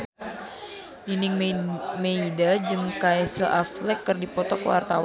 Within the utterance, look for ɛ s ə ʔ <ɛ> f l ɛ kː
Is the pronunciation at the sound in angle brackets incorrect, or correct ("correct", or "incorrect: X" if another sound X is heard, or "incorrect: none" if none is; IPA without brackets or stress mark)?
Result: incorrect: a